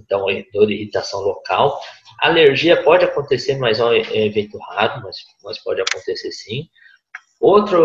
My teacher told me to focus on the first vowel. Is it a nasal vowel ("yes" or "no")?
yes